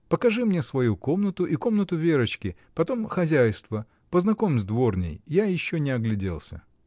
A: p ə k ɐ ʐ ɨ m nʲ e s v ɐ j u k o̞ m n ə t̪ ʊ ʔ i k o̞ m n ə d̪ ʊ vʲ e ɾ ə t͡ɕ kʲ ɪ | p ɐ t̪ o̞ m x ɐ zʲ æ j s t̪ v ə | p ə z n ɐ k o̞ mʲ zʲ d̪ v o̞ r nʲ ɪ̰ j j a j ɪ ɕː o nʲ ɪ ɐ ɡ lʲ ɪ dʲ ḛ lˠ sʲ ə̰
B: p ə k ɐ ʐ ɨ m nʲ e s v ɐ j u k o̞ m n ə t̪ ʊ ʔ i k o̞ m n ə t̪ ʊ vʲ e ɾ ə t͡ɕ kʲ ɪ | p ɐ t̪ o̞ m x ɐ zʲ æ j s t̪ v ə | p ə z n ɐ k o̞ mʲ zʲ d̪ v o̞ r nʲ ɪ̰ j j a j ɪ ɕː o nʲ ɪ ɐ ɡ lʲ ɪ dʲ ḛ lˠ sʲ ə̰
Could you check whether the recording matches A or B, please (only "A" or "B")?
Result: B